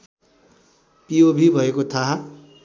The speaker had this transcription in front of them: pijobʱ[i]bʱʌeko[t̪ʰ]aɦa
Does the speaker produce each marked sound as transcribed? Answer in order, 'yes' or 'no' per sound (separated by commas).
yes, yes